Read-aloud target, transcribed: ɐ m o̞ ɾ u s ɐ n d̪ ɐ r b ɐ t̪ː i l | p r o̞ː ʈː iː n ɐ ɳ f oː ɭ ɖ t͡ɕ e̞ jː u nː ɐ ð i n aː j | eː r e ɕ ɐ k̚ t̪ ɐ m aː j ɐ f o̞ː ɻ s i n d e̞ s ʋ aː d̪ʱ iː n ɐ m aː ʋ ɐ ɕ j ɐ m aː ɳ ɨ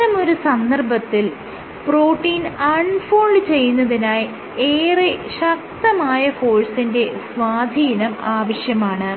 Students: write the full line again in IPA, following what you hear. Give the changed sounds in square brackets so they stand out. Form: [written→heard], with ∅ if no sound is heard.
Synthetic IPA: ɐ m o̞ ɾ u s ɐ n d̪ ɐ r b ɐ t̪ː i l | p r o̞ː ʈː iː n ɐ ɳ f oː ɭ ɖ t͡ɕ e̞ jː u nː ɐ ð i n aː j | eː r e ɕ ɐ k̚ t̪ ɐ m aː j ɐ f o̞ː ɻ s i n d e̞ s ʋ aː d̪ʱ iː n ɐ m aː ʋ ɐ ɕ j ɐ m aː ɳ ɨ